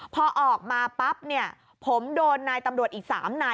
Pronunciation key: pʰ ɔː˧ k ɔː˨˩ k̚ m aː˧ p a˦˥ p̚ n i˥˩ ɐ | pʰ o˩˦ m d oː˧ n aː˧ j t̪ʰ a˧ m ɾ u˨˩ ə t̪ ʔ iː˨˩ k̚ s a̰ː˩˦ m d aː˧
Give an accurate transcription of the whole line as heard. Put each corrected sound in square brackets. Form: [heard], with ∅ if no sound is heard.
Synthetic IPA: pʰ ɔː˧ [ʔ] ɔː˨˩ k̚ m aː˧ p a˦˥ p̚ n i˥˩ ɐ | pʰ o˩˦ m d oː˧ [nː] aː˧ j [t̪] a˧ m ɾ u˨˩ ə t̪ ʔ iː˨˩ k̚ s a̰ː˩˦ m [n] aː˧